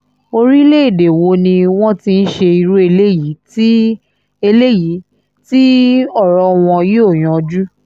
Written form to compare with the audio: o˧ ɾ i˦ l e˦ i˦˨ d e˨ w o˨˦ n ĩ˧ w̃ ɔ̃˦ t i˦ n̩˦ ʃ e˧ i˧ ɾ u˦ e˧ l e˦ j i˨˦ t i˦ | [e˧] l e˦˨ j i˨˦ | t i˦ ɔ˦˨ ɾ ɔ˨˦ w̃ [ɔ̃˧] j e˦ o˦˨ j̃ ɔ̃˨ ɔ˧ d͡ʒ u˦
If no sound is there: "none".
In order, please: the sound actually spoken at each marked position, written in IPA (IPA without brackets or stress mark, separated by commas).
e˧, ɔ̃˧